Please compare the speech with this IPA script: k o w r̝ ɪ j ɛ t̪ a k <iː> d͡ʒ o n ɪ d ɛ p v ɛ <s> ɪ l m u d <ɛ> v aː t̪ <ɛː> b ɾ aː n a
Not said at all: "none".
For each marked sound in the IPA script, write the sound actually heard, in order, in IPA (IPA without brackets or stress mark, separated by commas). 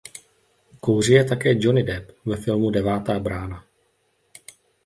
ɛː, f, ɛ, aː